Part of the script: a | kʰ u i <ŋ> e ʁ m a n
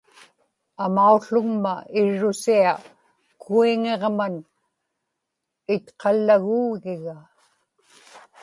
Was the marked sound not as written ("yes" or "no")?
no